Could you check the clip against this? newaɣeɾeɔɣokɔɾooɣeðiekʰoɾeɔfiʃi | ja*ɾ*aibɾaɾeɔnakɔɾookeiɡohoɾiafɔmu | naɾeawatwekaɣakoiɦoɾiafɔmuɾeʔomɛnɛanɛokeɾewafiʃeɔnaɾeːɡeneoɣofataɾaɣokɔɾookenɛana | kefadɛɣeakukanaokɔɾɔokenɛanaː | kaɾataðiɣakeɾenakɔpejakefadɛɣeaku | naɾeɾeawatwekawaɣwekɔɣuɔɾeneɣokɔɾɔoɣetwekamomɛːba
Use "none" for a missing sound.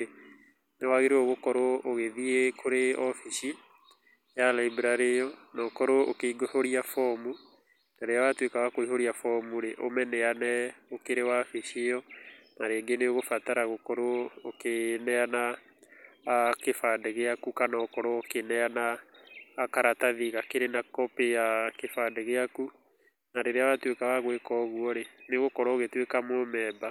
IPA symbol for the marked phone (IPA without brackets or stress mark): l